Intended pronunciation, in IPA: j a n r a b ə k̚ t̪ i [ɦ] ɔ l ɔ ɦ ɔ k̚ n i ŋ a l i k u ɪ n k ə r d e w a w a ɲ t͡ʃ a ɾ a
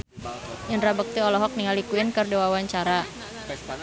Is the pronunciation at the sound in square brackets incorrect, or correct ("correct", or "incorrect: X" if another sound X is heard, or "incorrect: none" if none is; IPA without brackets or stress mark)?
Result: incorrect: none